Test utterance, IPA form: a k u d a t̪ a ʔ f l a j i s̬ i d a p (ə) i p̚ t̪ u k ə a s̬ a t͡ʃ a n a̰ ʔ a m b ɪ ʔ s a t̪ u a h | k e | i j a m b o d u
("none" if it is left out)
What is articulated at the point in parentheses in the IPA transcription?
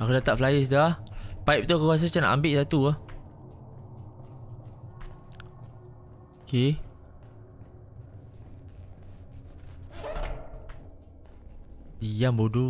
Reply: a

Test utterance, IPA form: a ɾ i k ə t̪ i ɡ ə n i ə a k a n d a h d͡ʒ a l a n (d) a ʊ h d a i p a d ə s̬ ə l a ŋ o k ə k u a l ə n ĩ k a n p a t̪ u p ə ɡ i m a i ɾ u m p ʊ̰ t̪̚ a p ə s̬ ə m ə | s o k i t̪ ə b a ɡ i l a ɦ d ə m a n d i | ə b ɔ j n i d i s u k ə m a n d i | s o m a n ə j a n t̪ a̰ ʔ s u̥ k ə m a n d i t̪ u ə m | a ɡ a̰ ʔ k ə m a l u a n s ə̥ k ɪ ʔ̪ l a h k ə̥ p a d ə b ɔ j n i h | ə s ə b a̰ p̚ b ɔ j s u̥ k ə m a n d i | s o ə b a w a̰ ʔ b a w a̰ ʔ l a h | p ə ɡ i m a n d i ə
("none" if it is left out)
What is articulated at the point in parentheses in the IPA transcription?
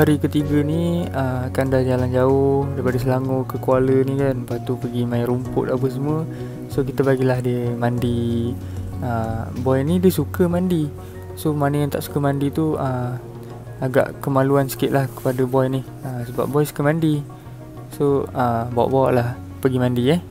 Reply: d͡ʒ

